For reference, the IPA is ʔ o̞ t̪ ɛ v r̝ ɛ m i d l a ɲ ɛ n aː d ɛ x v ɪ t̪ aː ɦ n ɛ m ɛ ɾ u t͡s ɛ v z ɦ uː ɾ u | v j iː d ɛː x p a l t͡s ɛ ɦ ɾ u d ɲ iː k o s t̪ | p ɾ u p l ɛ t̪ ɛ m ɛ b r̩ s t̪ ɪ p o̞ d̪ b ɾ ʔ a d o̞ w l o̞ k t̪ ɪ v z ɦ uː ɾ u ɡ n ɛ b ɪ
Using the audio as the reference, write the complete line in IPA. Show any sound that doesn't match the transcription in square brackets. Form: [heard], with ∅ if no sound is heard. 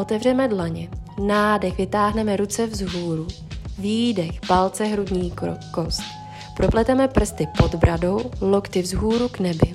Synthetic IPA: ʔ o̞ t̪ ɛ v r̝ ɛ m [ɛ] d l a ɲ ɛ n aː d ɛ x v ɪ t̪ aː ɦ n ɛ m ɛ ɾ u t͡s ɛ v z ɦ uː ɾ u | v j iː d [ɛ] x p a l t͡s ɛ ɦ ɾ u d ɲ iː k o s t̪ | p ɾ [o] p l ɛ t̪ ɛ m ɛ [p] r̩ s t̪ ɪ p o̞ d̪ b ɾ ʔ a d o̞ w l o̞ k t̪ ɪ v z ɦ uː ɾ u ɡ n ɛ b ɪ